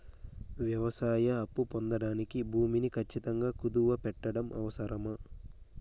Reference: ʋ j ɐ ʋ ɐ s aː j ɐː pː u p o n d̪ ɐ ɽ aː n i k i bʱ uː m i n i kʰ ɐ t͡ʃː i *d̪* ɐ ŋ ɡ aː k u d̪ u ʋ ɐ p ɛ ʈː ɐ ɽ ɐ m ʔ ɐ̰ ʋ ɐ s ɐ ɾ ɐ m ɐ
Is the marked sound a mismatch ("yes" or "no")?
yes